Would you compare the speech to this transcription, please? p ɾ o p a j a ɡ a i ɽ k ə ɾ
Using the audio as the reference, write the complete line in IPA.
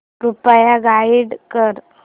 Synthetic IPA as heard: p ɾ u p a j a ɡ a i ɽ k ə ɾ